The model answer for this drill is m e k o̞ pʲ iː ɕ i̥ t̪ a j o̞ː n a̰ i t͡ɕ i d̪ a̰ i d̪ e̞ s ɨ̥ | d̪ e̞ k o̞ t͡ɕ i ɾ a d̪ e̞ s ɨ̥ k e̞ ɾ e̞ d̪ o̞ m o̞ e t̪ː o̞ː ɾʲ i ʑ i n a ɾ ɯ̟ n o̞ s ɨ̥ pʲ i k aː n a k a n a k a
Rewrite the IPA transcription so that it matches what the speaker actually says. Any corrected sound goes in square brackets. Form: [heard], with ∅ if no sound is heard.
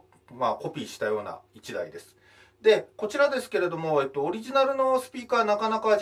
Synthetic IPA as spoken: m [a] k o̞ pʲ iː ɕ i̥ t̪ a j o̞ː n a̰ i t͡ɕ i d̪ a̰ i d̪ e̞ s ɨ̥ | d̪ e̞ k o̞ t͡ɕ i ɾ a d̪ e̞ s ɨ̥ k e̞ ɾ e̞ d̪ o̞ m o̞ e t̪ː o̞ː ɾʲ i ʑ i n a ɾ ɯ̟ n o̞ s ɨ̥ pʲ [iː] k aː n a k a n a k a